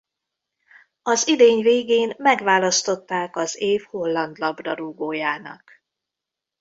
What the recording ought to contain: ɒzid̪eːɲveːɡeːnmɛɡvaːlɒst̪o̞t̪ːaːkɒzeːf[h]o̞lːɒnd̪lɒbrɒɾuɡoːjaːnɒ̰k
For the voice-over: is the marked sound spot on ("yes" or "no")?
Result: yes